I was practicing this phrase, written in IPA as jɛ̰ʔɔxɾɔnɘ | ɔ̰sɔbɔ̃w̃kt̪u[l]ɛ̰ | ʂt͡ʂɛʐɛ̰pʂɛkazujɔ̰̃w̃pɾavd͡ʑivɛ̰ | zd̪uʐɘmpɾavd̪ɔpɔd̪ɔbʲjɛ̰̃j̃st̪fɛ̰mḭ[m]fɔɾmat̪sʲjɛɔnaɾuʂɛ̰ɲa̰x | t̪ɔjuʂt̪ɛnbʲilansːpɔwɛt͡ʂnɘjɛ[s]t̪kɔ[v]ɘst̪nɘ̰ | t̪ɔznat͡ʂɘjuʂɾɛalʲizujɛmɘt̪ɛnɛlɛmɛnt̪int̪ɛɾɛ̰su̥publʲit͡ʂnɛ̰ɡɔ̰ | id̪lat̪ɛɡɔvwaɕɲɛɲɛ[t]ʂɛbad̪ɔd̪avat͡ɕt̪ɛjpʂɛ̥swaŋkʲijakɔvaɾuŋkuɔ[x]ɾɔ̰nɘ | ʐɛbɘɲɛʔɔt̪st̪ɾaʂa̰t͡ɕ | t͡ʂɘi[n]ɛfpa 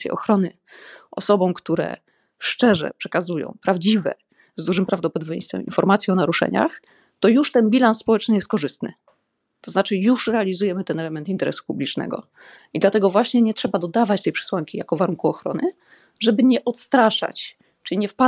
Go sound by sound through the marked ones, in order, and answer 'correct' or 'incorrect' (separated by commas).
incorrect, incorrect, correct, incorrect, correct, correct, incorrect